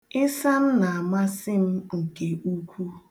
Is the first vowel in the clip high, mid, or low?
high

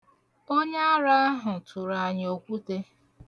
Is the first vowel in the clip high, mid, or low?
mid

